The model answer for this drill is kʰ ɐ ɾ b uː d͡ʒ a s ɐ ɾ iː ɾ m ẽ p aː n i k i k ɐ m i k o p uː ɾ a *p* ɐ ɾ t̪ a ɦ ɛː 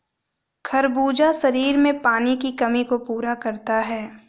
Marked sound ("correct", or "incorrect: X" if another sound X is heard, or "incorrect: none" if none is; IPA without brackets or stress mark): incorrect: k